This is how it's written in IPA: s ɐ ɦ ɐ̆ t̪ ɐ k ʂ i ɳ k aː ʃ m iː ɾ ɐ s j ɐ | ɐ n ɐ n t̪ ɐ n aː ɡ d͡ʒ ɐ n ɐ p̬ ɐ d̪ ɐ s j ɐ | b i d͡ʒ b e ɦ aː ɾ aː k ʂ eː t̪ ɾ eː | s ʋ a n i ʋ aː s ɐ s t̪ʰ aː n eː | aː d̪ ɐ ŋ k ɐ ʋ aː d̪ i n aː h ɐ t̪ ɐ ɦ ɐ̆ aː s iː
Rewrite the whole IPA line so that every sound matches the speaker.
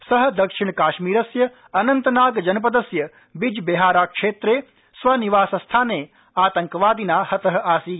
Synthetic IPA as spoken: s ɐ ɦ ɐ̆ d̪ ɐ k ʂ i ɳ k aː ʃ m iː ɾ ɐ s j ɐ | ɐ n ɐ n t̪ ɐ n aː ɡ d͡ʒ ɐ n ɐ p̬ ɐ d̪ ɐ s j ɐ | b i d͡ʒ b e ɦ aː ɾ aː k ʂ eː t̪ ɾ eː | s ʋ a n i ʋ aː s ɐ s t̪ʰ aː n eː | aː t̪ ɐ ŋ k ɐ ʋ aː d̪ i n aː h ɐ t̪ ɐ ɦ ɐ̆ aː s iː